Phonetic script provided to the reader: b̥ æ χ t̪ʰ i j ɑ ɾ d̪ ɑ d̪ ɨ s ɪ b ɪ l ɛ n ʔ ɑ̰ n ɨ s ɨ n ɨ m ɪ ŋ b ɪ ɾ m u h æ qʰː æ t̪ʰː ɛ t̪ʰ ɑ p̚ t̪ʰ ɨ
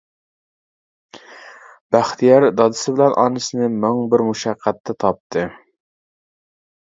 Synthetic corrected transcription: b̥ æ χ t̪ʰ i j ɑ ɾ d̪ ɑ d̪ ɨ s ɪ b ɪ l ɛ n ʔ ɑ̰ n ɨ s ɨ n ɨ m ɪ ŋ b ɪ ɾ m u ʃ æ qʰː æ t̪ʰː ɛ t̪ʰ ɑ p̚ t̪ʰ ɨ